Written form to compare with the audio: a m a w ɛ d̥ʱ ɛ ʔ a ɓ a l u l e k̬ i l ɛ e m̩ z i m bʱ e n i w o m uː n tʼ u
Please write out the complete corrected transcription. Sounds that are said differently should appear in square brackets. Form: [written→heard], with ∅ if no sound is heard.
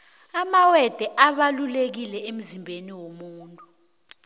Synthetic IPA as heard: a m a w ɛ d̥ʱ ɛ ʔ a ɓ a l u l e k̬ i l ɛ e m̩ z i m bʱ e n i w o m uː n tʼ u